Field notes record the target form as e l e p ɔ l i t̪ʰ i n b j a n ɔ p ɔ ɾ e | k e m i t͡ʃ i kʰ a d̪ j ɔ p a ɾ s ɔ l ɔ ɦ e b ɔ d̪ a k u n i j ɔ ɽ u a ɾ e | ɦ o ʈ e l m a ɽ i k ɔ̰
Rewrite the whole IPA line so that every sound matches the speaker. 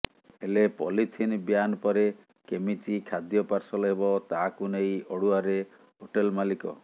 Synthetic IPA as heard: e l e p ɔ l i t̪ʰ i n b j a n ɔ p ɔ ɾ e | k e m i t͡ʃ i kʰ a d̪ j ɔ p a ɾ s ɔ l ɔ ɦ e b ɔ t̪ a k u n e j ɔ ɽ u a ɾ e | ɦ o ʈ e l m a l i k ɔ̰